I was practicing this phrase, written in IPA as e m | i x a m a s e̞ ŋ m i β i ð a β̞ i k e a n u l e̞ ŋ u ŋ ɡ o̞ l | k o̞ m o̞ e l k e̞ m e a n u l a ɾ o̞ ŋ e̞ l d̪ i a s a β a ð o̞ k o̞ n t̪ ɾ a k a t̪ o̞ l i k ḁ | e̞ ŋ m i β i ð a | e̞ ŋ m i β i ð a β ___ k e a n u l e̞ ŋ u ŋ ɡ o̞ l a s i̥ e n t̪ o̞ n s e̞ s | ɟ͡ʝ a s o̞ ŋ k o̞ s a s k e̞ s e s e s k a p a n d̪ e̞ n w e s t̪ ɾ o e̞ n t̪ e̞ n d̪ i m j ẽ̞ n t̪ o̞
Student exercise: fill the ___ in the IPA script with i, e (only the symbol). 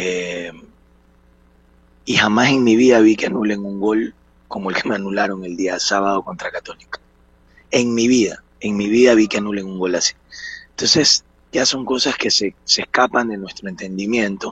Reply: i